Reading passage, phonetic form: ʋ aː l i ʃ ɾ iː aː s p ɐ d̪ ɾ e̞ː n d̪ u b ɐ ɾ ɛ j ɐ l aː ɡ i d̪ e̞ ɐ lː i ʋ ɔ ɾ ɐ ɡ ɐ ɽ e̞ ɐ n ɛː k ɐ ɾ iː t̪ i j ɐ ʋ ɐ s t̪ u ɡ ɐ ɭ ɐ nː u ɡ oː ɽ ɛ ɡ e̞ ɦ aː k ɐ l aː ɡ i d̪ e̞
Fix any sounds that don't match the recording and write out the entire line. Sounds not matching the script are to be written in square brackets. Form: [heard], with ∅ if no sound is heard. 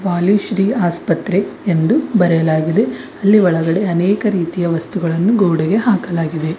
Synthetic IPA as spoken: ʋ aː l i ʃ ɾ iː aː s p ɐ [t̪] ɾ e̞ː n d̪ u b ɐ ɾ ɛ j ɐ l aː ɡ i d̪ e̞ ɐ lː i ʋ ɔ [ɭ] ɐ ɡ ɐ ɽ e̞ ɐ n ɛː k ɐ ɾ iː t̪ i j ɐ ʋ ɐ s t̪ u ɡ ɐ ɭ ɐ nː u ɡ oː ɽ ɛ ɡ e̞ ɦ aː k ɐ l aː ɡ i d̪ e̞